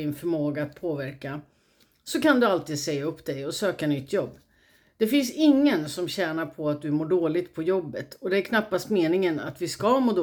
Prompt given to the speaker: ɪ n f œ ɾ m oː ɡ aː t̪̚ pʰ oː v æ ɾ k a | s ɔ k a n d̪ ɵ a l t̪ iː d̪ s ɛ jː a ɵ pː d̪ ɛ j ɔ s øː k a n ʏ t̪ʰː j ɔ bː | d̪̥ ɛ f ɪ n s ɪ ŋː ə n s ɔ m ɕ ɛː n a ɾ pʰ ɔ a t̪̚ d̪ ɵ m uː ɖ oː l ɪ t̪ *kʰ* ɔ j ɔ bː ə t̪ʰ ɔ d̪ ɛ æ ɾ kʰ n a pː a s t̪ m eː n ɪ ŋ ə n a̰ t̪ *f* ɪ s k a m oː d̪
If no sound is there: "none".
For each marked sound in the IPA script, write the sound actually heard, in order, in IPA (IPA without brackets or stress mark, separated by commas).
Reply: pʰ, v